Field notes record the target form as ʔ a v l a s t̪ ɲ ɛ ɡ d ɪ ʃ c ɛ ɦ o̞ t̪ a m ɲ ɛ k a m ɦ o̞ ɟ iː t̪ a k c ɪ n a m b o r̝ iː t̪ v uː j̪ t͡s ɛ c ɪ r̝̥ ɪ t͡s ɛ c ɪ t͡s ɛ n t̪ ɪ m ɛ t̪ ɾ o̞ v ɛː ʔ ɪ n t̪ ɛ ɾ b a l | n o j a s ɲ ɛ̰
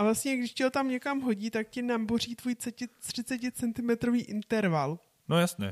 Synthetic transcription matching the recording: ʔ a v l a s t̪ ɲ ɛ ɡ d ɪ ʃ c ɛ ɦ o̞ t̪ a m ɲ ɛ k a m ɦ o̞ ɟ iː t̪ a k c ɪ n a m b o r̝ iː t̪ v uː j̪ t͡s ɛ c ɪ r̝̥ ɪ t͡s ɛ c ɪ t͡s ɛ n t̪ ɪ m ɛ t̪ ɾ o̞ v iː ʔ ɪ n t̪ ɛ ɾ v a l | n o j a s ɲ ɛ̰